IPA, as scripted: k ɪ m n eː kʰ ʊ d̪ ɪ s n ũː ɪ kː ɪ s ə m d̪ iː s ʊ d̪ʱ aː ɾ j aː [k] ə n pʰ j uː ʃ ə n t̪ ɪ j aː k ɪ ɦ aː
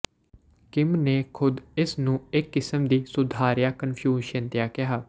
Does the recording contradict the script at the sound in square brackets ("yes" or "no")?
no